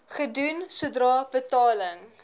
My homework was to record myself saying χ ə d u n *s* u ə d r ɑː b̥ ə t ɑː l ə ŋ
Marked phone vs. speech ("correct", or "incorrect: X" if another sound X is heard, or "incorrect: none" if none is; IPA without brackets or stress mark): correct